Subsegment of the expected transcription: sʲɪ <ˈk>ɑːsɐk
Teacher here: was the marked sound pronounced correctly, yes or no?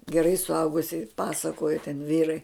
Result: no